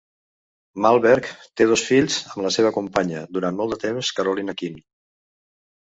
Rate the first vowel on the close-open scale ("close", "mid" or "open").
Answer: open